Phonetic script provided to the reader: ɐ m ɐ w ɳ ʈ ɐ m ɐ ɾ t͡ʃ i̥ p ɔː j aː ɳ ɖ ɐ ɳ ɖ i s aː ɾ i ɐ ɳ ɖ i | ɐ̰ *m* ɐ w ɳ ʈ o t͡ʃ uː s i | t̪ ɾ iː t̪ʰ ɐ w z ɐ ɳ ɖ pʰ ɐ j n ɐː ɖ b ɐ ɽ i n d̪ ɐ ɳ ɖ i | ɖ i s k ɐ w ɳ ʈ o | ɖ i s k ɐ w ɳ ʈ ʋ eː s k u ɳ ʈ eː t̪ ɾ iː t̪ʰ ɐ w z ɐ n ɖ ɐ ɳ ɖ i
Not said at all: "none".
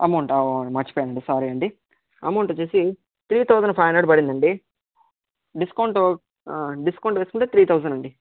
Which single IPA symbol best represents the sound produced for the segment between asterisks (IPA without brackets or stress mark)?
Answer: m